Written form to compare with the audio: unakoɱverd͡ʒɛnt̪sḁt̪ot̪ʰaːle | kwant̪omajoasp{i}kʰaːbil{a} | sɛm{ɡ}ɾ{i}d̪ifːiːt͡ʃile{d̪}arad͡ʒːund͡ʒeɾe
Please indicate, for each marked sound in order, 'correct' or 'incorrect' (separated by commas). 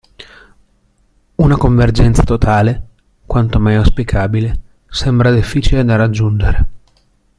correct, incorrect, incorrect, incorrect, correct